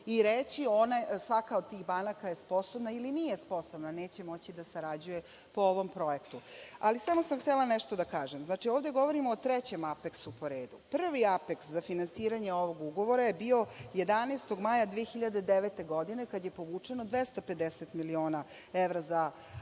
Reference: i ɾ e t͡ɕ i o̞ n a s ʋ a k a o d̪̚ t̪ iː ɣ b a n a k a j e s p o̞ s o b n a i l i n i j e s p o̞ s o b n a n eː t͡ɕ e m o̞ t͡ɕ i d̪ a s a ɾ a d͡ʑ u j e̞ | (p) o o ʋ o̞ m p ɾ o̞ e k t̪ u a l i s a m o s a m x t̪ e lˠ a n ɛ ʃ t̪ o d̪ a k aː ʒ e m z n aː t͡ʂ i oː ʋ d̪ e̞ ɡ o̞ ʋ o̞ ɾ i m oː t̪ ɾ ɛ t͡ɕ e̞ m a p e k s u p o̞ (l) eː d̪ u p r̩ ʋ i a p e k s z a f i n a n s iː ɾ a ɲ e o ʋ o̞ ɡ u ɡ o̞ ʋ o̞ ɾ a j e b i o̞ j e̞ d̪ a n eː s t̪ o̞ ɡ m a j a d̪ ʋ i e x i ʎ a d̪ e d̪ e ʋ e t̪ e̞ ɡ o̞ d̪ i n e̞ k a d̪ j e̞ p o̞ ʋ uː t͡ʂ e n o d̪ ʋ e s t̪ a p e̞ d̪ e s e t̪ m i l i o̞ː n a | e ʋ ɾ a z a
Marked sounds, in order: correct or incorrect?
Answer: correct, incorrect: ɾ

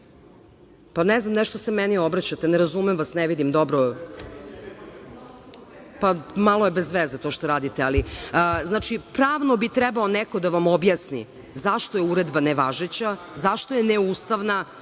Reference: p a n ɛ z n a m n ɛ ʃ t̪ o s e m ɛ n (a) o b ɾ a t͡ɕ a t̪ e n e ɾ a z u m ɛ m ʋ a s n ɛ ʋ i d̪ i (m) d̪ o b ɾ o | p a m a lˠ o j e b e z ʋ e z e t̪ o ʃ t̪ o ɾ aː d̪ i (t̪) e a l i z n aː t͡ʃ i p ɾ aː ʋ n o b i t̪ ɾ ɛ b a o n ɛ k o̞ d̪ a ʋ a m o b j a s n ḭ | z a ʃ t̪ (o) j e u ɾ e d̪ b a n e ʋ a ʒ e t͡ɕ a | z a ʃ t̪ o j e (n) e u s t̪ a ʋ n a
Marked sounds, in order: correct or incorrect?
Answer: incorrect: i, correct, correct, correct, correct

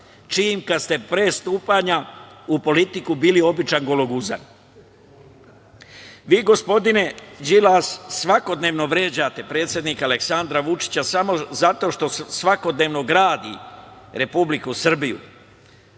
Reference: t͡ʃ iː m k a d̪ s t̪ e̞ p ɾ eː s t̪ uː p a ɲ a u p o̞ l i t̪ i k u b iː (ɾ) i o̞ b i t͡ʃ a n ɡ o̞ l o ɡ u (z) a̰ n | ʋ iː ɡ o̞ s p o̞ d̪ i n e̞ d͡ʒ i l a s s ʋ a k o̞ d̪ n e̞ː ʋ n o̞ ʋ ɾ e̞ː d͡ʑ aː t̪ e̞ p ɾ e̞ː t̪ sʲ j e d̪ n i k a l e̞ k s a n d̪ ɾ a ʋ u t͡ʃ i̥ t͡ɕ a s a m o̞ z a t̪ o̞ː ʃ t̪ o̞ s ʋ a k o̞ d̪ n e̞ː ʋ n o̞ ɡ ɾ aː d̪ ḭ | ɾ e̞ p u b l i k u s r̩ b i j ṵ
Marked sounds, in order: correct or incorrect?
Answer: incorrect: l, correct

